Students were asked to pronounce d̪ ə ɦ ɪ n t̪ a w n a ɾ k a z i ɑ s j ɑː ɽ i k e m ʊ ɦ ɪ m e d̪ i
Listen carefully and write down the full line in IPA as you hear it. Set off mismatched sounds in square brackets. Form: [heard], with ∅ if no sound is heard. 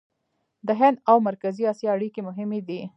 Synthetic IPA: d̪ ə ɦ ɪ n [d̪] a w [m] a ɾ k a z i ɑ s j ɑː ɽ i k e m ʊ ɦ ɪ m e d̪ i